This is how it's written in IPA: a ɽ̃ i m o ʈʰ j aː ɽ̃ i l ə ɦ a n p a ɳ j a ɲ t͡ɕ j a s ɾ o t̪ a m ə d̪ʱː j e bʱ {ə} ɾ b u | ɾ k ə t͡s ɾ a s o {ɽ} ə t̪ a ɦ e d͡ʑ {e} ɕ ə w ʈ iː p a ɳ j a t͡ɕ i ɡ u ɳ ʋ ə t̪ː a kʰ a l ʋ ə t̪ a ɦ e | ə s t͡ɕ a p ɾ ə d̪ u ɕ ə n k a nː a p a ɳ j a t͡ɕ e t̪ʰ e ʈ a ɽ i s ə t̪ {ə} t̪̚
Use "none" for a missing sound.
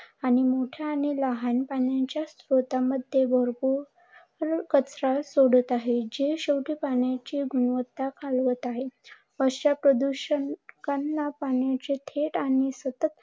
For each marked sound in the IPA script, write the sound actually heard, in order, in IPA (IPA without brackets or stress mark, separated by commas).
ə, ɽ, e, ə